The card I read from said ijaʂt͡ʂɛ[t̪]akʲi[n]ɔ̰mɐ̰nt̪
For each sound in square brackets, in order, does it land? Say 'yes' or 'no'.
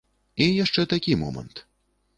yes, no

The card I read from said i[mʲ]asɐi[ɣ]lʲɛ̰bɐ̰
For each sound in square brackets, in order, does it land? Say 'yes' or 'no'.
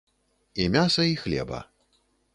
yes, no

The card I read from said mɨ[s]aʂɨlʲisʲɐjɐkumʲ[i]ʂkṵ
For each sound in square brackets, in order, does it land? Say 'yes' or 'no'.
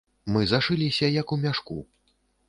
no, no

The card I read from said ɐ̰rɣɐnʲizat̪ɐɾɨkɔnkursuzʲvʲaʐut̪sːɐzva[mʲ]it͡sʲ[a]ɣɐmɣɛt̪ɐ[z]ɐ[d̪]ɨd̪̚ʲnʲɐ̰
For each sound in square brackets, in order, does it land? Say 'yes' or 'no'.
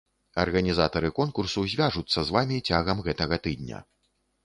yes, yes, no, no

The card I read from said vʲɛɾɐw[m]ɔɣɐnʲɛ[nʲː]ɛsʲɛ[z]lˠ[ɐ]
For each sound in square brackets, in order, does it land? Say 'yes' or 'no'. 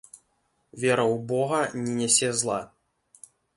no, no, yes, no

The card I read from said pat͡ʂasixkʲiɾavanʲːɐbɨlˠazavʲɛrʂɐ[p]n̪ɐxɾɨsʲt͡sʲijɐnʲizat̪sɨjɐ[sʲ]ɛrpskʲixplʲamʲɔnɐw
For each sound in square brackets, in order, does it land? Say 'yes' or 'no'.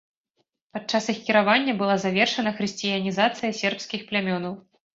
no, yes

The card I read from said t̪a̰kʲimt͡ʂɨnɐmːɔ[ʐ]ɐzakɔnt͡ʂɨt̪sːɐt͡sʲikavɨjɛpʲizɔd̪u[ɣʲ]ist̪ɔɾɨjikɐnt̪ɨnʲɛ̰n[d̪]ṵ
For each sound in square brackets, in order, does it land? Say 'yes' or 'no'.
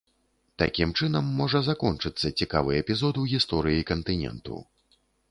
yes, yes, no

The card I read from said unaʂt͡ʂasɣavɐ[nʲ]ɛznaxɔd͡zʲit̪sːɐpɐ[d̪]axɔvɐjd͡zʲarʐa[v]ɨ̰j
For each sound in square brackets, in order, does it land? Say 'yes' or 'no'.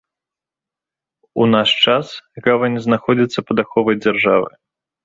yes, yes, yes

